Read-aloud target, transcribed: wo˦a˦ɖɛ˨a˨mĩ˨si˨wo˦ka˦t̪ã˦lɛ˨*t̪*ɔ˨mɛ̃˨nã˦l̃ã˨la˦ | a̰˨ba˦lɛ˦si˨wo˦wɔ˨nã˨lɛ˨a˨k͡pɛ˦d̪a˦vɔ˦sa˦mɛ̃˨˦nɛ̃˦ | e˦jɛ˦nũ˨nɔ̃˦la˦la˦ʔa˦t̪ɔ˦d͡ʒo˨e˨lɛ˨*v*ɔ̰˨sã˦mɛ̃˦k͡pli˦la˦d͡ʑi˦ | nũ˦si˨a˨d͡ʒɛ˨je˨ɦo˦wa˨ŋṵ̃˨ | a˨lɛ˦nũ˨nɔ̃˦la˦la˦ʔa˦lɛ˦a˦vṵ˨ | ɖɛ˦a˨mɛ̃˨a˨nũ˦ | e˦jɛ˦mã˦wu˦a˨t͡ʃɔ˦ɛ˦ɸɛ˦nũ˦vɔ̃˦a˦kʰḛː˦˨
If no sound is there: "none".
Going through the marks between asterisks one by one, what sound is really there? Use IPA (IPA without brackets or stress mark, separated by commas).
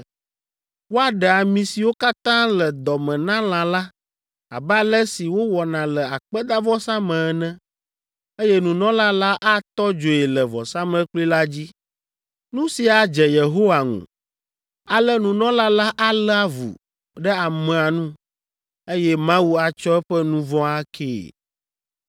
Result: d̪, v